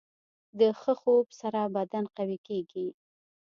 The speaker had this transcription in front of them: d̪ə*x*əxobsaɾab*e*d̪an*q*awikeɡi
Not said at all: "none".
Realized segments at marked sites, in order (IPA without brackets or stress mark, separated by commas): x, a, q